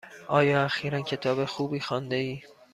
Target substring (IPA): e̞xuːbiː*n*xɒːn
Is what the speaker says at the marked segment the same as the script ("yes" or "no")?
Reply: no